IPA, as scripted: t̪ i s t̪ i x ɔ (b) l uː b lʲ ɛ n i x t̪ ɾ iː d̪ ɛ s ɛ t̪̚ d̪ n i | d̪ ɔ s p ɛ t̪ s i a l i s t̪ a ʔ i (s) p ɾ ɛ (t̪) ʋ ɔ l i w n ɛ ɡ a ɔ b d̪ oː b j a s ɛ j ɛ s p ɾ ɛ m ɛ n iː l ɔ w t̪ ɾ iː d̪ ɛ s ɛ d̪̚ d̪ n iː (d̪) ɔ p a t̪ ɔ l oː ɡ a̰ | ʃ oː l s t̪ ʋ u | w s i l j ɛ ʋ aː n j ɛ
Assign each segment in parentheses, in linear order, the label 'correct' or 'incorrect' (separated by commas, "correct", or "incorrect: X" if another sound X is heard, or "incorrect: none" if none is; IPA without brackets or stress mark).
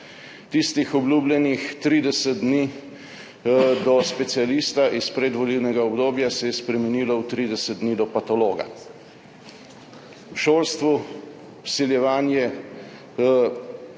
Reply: correct, correct, incorrect: d̪, correct